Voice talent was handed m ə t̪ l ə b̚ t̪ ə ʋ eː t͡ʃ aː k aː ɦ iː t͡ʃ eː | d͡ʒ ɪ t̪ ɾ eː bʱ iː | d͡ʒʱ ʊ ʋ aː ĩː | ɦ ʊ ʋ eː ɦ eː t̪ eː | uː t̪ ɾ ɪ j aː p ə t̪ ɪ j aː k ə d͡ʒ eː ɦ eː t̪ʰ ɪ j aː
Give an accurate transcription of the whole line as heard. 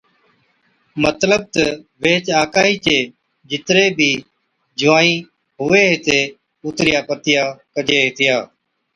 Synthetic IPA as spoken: m ə t̪ l ə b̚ t̪ ə ʋ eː t͡ʃ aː k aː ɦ iː t͡ʃ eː | d͡ʒ ɪ t̪ ɾ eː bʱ iː | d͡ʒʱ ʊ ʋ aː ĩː | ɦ ʊ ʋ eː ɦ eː t̪ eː | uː t̪ ɾ ɪ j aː p ə t̪ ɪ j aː k ə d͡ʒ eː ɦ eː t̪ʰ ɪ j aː